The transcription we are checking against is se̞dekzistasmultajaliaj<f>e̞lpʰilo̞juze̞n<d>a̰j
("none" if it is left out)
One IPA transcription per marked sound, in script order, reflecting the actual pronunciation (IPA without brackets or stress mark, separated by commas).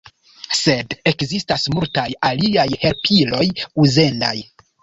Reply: h, d